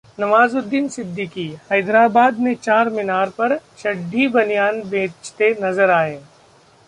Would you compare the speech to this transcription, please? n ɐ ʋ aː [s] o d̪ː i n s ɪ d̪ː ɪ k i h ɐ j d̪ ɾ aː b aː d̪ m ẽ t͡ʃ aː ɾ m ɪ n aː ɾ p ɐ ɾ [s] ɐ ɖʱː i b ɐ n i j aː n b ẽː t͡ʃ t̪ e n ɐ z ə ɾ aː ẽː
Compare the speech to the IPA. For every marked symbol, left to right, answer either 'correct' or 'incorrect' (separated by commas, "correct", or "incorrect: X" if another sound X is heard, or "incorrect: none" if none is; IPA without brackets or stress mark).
incorrect: z, incorrect: ʃ